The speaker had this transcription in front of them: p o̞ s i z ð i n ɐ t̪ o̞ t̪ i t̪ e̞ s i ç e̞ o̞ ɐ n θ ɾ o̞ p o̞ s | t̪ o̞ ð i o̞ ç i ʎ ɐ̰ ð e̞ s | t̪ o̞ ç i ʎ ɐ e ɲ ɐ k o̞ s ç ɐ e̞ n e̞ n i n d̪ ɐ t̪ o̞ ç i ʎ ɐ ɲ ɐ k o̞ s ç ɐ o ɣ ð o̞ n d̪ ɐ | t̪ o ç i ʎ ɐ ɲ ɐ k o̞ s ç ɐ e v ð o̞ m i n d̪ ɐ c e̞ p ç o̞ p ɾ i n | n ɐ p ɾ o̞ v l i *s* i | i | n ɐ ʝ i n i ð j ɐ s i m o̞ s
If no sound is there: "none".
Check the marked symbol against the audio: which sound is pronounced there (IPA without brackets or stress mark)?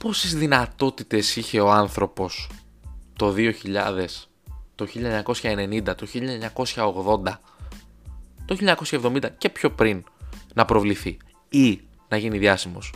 θ